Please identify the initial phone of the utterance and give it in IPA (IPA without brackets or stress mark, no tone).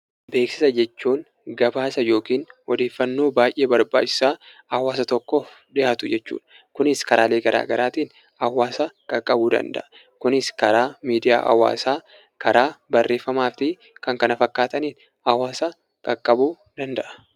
b